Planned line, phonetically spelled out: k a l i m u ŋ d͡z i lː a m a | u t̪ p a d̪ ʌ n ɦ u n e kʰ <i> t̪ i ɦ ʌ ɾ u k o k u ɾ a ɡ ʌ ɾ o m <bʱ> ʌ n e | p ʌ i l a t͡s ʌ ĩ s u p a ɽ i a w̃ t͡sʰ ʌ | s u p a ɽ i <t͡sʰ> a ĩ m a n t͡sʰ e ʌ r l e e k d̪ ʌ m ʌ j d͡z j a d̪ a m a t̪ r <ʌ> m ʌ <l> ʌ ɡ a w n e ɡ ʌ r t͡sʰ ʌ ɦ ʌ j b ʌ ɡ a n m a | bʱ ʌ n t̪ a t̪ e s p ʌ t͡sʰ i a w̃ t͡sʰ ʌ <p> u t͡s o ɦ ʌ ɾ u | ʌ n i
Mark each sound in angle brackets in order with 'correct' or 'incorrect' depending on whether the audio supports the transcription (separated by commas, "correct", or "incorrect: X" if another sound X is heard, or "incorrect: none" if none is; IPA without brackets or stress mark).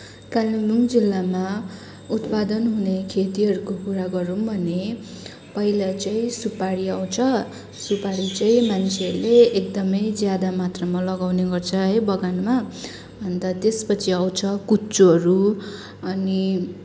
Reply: incorrect: e, correct, incorrect: t͡s, correct, correct, incorrect: k